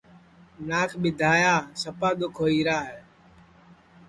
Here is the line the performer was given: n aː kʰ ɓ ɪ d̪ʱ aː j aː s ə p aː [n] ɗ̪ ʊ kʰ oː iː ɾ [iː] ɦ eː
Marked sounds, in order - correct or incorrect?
incorrect, incorrect

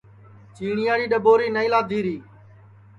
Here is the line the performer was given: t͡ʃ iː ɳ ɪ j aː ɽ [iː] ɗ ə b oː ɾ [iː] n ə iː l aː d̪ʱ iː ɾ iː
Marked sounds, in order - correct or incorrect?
correct, correct

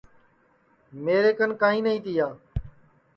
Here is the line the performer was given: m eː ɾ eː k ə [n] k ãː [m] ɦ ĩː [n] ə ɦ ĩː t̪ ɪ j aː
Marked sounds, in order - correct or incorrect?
correct, incorrect, correct

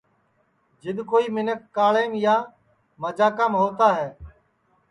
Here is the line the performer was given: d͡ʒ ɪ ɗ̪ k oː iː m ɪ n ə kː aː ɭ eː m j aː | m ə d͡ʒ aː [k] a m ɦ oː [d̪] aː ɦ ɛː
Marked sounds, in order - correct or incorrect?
correct, incorrect

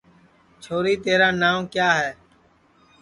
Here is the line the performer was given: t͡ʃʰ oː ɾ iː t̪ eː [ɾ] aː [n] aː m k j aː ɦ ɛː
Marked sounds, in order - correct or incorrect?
correct, correct

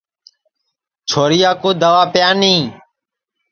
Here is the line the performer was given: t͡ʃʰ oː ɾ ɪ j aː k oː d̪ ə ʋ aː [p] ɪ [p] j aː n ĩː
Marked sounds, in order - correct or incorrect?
correct, incorrect

